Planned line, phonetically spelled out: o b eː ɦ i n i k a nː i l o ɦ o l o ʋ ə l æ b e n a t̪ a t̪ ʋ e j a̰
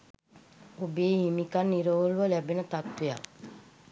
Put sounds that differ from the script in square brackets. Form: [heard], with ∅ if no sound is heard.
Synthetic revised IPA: o b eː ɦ i [m] i k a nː i [ɾ] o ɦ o l [u] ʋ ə l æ b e n [ə] t̪ a t̪ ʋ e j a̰